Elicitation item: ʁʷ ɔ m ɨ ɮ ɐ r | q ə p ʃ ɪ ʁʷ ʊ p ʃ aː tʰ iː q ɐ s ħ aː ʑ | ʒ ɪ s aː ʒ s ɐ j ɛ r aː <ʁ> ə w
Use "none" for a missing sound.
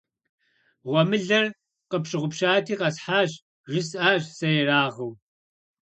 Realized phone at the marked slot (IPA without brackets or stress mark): ʁ